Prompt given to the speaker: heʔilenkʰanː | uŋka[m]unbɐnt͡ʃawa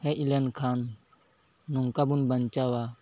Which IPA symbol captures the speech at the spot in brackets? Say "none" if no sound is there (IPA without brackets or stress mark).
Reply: b